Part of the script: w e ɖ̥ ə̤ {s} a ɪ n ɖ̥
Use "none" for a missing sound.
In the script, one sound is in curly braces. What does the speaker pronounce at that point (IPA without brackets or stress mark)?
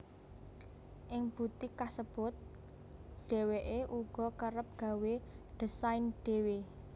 s